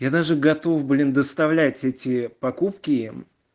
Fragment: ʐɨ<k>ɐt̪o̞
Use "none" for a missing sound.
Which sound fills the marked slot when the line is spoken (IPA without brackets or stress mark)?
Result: ɡ